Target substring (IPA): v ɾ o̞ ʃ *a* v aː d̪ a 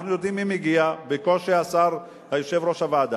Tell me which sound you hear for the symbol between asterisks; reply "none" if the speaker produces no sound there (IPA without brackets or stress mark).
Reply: a